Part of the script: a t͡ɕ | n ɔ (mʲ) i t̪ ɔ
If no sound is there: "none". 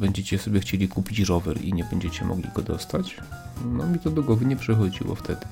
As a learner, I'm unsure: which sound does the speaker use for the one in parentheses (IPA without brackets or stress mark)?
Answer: mʲ